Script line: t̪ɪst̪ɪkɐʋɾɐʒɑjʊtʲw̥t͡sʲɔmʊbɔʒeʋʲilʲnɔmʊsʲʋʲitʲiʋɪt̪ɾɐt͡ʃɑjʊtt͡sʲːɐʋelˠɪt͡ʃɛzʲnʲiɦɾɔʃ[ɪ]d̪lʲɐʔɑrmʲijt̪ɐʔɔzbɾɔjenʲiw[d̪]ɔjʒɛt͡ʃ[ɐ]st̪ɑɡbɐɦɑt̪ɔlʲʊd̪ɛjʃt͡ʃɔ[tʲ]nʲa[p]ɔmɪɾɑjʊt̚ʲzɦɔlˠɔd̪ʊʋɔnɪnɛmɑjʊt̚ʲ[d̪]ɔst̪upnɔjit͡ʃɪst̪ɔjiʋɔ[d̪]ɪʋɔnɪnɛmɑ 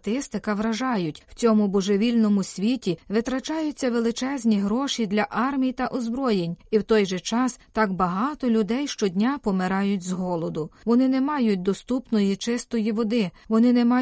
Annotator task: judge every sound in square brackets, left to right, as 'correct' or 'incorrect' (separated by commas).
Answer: incorrect, incorrect, incorrect, incorrect, correct, correct, correct